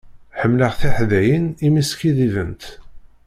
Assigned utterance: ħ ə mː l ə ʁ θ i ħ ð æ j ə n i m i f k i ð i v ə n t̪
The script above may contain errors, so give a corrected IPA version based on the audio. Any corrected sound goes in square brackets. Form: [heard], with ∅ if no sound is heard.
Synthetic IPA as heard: ħ ə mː l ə ʁ θ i ħ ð æ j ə n i m i [s] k i ð i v ə n t̪